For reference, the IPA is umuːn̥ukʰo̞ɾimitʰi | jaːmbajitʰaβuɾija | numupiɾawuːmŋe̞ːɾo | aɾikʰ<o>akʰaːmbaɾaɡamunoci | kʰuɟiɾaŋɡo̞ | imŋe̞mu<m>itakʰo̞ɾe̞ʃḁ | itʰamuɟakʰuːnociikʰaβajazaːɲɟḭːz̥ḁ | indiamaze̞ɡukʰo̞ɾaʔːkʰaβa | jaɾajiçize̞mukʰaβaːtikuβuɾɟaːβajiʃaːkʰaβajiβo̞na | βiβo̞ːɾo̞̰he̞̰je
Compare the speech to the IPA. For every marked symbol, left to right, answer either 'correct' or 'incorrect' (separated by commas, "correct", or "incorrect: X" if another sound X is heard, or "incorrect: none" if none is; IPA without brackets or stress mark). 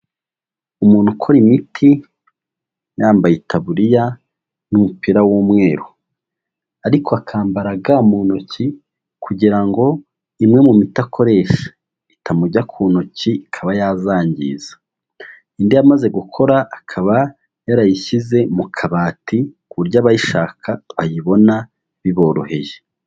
correct, correct